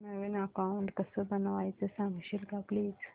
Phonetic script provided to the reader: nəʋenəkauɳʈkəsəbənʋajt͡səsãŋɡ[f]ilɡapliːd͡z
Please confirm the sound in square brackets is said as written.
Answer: no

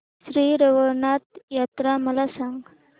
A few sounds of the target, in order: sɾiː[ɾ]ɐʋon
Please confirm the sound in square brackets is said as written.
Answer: yes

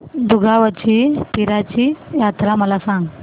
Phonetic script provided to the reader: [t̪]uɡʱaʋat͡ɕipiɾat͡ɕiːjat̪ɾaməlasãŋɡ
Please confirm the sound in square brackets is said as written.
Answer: no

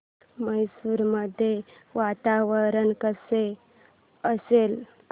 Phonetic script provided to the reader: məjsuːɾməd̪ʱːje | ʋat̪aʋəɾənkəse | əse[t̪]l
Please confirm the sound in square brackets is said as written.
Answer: no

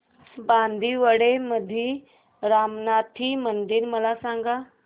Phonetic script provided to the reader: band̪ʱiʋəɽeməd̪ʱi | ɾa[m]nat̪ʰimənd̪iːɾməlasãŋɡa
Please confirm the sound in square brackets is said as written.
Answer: yes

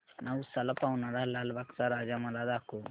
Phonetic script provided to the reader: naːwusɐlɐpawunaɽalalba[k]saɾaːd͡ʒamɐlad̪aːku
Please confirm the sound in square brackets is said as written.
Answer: yes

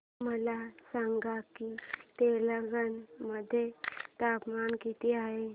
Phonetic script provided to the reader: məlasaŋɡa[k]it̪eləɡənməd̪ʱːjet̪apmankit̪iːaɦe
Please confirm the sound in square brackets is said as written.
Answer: yes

